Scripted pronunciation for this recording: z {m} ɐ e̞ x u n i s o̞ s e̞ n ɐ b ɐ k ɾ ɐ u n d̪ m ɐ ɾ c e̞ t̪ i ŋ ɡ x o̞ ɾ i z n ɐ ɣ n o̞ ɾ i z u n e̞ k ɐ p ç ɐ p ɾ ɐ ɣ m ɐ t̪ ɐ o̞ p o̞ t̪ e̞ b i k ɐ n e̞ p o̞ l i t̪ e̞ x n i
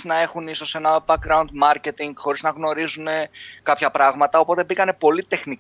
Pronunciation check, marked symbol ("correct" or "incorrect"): incorrect